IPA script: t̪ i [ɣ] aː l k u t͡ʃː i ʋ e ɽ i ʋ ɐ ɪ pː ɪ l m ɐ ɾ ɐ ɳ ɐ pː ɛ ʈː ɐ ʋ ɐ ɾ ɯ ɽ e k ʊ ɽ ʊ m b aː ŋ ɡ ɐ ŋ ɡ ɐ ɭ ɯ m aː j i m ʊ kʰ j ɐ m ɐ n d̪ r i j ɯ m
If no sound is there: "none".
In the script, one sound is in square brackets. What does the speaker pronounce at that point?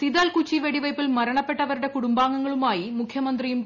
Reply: ð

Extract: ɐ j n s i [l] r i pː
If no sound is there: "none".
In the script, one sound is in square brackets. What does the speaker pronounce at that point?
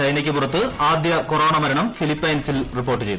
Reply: l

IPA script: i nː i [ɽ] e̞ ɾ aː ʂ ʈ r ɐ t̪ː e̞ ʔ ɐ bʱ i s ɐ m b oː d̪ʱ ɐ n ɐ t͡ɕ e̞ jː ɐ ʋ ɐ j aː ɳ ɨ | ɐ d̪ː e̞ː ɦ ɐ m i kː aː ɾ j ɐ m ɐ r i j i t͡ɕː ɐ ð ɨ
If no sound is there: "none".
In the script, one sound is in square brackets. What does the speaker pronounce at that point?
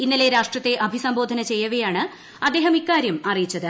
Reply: l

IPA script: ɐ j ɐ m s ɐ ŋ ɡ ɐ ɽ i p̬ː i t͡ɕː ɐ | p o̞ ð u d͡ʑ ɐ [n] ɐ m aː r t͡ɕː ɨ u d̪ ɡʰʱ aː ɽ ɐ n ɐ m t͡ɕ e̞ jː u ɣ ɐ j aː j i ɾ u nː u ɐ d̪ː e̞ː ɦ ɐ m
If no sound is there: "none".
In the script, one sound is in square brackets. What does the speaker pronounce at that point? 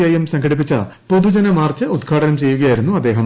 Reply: n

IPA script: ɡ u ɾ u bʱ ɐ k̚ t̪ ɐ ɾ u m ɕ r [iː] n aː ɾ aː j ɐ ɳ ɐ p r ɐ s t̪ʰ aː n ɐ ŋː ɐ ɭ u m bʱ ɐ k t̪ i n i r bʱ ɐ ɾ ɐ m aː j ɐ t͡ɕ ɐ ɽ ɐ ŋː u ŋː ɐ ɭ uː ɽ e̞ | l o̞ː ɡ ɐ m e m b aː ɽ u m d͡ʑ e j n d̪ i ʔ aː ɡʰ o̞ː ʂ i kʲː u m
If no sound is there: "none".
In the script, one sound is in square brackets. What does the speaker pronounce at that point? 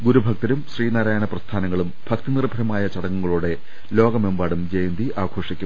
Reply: iː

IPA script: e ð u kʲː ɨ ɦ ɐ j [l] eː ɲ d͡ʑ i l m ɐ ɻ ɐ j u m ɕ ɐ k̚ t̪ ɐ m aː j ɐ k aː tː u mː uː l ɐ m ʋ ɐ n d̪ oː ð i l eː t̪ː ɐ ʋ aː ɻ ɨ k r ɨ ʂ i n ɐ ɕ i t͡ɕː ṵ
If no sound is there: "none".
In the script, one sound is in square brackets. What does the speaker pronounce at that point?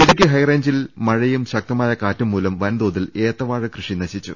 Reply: r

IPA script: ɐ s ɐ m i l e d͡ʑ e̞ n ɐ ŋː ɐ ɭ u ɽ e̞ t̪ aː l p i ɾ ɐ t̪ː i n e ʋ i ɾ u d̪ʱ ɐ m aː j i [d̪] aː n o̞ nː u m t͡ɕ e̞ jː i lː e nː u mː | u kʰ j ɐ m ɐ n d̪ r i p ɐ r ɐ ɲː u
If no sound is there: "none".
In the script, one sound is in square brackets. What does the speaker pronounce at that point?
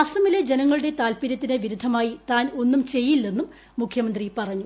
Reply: t̪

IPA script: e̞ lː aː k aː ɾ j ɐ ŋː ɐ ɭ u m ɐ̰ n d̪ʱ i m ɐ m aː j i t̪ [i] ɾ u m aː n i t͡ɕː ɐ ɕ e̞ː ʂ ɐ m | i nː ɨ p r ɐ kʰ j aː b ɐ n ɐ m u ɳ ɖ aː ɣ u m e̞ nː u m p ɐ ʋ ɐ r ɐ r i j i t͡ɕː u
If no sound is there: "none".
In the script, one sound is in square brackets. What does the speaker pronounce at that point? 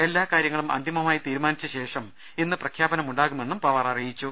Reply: iː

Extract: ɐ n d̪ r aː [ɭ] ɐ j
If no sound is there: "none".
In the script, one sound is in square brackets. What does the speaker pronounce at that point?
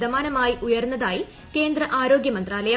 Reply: l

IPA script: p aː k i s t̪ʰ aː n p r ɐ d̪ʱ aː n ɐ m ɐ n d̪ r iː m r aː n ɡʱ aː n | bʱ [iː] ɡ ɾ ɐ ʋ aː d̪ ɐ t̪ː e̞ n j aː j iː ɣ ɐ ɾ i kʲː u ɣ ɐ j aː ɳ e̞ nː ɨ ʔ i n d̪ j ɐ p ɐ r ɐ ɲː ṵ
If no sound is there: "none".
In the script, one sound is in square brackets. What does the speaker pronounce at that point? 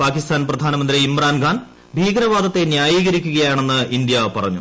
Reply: iː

